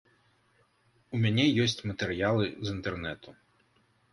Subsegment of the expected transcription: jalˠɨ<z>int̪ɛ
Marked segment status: correct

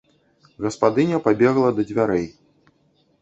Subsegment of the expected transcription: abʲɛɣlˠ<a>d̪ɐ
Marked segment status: incorrect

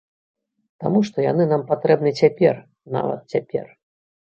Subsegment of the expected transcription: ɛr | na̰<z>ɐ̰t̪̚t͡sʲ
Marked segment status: incorrect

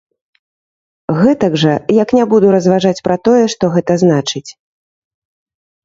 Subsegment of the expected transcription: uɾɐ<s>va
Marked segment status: incorrect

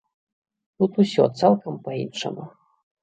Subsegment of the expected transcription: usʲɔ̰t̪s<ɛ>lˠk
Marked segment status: incorrect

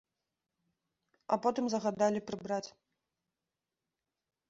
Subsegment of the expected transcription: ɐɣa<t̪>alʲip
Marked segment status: incorrect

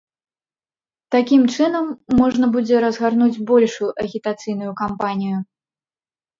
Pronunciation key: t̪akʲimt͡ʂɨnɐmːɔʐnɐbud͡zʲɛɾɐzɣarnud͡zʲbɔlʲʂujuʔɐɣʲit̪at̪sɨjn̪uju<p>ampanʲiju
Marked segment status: incorrect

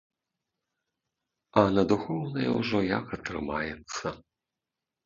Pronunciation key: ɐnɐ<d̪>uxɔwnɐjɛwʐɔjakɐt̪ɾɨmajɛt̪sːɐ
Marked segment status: correct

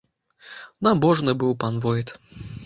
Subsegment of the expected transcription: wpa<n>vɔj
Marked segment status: correct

